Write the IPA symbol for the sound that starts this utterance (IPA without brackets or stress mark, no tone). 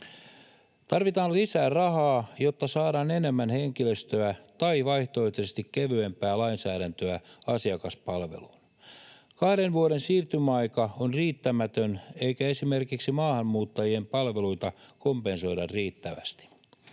t̪